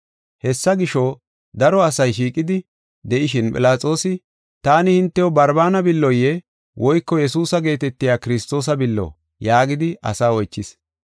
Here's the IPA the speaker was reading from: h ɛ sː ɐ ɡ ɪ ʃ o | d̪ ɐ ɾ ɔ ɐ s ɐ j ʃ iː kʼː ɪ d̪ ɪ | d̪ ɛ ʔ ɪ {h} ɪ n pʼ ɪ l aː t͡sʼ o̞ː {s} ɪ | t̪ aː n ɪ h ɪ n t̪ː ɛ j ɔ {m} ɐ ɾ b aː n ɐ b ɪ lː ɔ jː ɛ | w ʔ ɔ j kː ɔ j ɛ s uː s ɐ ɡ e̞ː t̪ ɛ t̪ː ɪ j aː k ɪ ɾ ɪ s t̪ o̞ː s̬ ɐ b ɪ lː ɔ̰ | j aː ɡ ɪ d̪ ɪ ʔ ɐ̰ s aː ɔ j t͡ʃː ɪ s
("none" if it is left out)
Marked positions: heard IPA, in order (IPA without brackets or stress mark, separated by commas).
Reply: ʃ, s, b